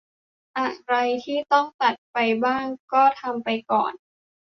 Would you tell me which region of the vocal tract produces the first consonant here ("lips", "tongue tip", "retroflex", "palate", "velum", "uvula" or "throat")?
throat